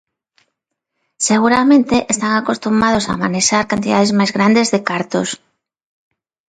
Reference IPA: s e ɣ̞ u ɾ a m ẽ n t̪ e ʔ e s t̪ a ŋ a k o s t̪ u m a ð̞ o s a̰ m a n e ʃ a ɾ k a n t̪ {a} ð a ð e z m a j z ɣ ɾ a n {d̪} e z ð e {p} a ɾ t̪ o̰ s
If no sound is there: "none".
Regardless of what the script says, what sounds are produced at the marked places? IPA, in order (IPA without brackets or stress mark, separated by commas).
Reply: i, d̪, k